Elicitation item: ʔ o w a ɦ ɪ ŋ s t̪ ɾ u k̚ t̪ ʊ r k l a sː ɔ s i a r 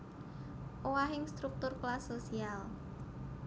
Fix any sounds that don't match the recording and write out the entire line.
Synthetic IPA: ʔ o w a ɦ ɪ ŋ s t̪ ɾ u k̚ t̪ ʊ r k l a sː o s i a l